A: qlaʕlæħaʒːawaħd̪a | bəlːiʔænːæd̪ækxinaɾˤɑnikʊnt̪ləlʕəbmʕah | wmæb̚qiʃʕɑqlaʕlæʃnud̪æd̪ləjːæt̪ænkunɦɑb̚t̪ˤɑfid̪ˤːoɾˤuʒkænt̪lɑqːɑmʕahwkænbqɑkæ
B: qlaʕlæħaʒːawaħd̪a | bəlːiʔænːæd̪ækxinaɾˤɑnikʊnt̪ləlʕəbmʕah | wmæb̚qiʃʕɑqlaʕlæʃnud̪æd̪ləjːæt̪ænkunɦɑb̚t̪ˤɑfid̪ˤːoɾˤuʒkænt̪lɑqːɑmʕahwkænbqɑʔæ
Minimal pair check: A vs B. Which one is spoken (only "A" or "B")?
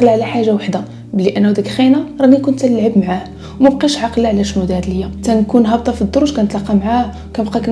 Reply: A